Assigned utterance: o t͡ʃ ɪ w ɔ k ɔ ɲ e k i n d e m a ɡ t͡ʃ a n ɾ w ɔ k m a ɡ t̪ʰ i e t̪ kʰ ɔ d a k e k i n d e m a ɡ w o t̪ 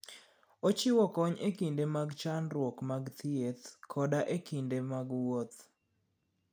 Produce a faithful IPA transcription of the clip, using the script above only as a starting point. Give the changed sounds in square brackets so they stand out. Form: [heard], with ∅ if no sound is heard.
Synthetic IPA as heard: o t͡ʃ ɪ w ɔ k ɔ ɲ e k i n d e m a ɡ t͡ʃ a n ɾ w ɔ k m a ɡ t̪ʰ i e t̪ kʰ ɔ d a [ʔ] e k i n d e m a ɡ w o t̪

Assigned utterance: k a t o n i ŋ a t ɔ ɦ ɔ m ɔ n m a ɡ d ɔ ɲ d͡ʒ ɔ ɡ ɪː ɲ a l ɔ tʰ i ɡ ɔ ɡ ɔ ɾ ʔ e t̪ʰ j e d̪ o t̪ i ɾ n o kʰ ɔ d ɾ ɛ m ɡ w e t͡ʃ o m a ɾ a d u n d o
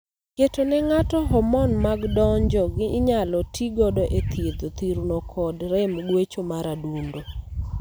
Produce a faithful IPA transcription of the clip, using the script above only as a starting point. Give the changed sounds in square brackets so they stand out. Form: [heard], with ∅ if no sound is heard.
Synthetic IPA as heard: k [e] t o n [ɛ] ŋ a t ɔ ɦ ɔ m ɔ n m a ɡ d ɔ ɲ d͡ʒ ɔ ɡ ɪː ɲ a l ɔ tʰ i ɡ ɔ [d] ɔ [∅] ʔ e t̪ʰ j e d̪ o t̪ i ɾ n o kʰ ɔ d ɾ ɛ m ɡ w e t͡ʃ o m a ɾ a d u n d o

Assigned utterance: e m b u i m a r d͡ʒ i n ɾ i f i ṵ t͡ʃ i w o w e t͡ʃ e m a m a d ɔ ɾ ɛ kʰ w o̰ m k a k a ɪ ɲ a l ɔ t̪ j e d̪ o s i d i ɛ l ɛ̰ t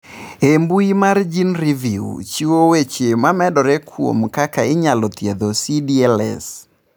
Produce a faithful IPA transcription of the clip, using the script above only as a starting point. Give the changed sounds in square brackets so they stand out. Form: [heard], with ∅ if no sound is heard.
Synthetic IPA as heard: e m b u i m a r d͡ʒ i n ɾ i [v] i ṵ t͡ʃ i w o w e t͡ʃ e m a m [ɛ] d ɔ ɾ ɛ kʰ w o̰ m k a k a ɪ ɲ a l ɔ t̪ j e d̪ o s i d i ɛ l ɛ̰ [s]

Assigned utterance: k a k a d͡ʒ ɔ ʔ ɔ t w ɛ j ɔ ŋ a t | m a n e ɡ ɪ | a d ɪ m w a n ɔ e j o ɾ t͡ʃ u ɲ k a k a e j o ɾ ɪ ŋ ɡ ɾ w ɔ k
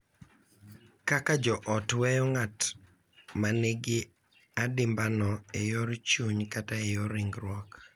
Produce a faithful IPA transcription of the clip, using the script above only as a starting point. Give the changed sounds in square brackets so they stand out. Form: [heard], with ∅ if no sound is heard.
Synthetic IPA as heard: k a k a d͡ʒ ɔ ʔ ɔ t w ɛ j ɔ ŋ a t | m a n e ɡ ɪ | a d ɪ m [b] a n ɔ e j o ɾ t͡ʃ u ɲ k a [t] a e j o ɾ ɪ ŋ ɡ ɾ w ɔ k

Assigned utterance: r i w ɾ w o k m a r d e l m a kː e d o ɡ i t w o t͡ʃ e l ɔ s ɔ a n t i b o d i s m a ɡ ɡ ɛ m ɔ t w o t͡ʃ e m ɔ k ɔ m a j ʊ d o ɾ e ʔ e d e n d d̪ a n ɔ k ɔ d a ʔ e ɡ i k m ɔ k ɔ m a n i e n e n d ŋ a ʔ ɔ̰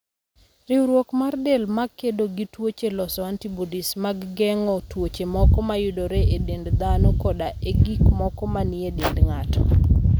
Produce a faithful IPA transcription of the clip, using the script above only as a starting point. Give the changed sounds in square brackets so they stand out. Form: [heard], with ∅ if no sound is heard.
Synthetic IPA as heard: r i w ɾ w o k m a r d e l m a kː e d o ɡ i t w o t͡ʃ e l ɔ s ɔ a n t i b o d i s m a ɡ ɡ ɛ [ŋ] ɔ t w o t͡ʃ e m ɔ k ɔ m a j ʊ d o ɾ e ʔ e d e n d d̪ a n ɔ k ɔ d a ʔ e ɡ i k m ɔ k ɔ m a n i e [d] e n d ŋ a [t] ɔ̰

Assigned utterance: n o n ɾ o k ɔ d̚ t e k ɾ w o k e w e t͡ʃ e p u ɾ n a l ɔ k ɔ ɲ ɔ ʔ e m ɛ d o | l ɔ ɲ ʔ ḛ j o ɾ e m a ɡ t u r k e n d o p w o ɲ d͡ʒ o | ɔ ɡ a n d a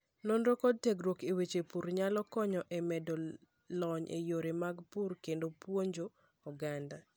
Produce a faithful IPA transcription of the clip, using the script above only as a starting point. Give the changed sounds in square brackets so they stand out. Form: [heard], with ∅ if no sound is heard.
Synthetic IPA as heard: n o n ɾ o k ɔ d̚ t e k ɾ w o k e w e t͡ʃ e p u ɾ [ɲ] a l ɔ k ɔ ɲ ɔ ʔ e m ɛ d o | l ɔ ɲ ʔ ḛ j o ɾ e m a ɡ [p] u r k e n d o p w o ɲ d͡ʒ o | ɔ ɡ a n d a

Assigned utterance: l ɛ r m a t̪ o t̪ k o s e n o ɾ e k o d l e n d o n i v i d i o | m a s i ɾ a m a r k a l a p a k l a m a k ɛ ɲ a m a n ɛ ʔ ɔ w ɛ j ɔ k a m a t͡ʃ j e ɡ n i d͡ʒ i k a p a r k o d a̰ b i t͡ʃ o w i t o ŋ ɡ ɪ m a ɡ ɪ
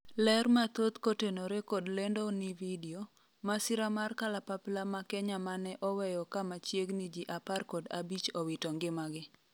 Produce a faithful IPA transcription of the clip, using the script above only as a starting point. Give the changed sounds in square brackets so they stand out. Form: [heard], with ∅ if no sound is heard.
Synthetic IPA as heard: l ɛ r m a t̪ o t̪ k o [t] e n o ɾ e k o d l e n d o n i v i d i o | m a s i ɾ a m a r k a l a p a [p] l a m a k ɛ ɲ a m a n ɛ ʔ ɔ w ɛ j ɔ k a m a t͡ʃ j e ɡ n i d͡ʒ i [ʔ] a p a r k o d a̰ b i t͡ʃ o w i t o ŋ ɡ ɪ m a ɡ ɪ

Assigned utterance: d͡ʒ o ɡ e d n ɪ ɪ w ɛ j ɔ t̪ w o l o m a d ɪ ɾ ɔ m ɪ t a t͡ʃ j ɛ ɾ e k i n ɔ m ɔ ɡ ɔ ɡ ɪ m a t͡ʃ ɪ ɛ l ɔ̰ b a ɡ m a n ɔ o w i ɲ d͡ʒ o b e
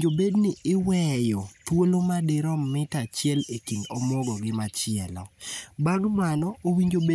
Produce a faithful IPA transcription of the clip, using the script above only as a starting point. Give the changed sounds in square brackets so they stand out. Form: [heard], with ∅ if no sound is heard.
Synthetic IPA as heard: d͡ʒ o [b] e d n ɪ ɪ w ɛ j ɔ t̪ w o l o m a d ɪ ɾ ɔ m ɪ t a t͡ʃ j ɛ [l] e k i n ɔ m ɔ ɡ ɔ ɡ ɪ m a t͡ʃ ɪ ɛ l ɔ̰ b a ɡ m a n ɔ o w i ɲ d͡ʒ o b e

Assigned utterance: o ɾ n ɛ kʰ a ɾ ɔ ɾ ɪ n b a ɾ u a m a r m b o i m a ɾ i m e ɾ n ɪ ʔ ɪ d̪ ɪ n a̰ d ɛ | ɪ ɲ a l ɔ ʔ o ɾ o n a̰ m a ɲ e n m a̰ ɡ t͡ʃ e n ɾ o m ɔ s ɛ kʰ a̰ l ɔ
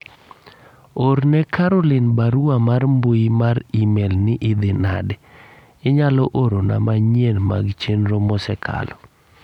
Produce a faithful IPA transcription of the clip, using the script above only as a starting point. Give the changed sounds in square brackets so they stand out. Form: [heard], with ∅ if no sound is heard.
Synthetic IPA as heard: o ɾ n ɛ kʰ a ɾ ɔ [l] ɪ n b a ɾ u a m a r m b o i m a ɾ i m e [l] n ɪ ʔ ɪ d̪ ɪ n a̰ d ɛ | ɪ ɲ a l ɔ ʔ o ɾ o n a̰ m a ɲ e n m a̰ ɡ t͡ʃ e n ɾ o m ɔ s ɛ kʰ a̰ l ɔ

